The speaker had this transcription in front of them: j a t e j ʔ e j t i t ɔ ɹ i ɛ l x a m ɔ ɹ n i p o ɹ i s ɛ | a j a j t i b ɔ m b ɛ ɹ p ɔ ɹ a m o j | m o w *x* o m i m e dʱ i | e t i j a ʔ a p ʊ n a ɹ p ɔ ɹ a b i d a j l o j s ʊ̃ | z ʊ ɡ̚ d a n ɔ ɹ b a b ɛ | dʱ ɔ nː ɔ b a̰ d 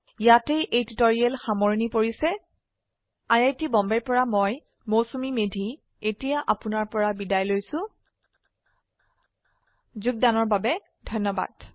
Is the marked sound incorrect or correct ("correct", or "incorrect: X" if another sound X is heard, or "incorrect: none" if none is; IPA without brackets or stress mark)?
incorrect: s